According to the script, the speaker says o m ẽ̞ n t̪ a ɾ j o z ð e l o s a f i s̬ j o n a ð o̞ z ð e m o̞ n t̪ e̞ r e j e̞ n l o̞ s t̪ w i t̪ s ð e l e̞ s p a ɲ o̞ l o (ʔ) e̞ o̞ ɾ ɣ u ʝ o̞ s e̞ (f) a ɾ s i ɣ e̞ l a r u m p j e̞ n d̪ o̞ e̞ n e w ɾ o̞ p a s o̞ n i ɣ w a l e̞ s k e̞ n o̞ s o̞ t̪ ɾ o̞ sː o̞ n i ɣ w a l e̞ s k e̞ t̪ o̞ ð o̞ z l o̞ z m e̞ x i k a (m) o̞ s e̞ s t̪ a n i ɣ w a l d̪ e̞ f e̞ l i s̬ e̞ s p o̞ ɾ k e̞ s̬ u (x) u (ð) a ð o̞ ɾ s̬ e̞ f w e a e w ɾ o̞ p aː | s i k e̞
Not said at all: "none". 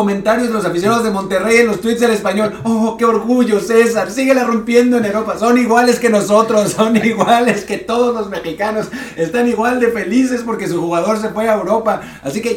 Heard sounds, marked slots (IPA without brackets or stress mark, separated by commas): k, s, n, x, ɣ